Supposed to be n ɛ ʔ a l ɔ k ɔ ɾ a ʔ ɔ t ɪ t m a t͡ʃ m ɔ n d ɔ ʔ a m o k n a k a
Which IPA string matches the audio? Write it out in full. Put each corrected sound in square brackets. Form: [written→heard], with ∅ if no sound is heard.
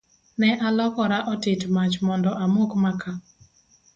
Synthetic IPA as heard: n ɛ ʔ a l ɔ k ɔ ɾ a ʔ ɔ t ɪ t m a t͡ʃ m ɔ n d ɔ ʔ a m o k [n→m] a k a